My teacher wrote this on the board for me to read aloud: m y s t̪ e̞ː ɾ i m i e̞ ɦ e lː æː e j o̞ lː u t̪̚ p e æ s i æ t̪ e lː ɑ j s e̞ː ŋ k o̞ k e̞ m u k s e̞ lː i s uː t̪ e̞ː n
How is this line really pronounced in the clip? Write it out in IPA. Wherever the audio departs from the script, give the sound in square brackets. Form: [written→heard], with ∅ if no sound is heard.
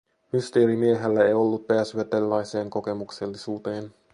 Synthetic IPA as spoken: m y s t̪ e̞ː ɾ i m i e̞ ɦ e lː [æː→æ] e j o̞ lː u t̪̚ p e æ s [i→y] æ t̪ e lː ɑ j s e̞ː ŋ k o̞ k e̞ m u k s e̞ lː i s uː t̪ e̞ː n